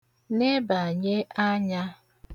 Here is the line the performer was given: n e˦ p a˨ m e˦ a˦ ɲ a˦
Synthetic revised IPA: n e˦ b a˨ ɲ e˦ a˦ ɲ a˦